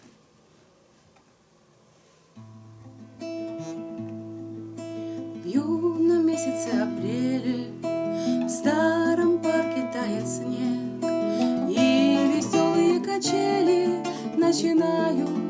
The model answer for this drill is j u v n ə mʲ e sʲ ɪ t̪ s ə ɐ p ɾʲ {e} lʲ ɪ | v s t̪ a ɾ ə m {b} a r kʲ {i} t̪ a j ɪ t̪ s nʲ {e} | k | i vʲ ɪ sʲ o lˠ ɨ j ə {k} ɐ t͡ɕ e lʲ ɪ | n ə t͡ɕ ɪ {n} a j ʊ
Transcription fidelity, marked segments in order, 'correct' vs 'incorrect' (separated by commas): correct, incorrect, incorrect, correct, correct, correct